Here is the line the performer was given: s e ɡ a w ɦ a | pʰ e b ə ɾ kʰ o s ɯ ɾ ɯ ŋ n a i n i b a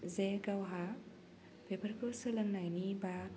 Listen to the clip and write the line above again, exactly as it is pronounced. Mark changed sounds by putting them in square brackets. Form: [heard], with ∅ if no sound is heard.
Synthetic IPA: [z] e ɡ a w ɦ a | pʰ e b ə ɾ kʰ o s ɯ [l] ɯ ŋ n a [j] n i b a